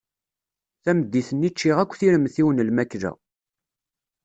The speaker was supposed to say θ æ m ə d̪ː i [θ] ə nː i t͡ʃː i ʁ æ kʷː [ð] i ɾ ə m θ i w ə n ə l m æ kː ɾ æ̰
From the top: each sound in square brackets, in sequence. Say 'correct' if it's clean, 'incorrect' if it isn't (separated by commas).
correct, incorrect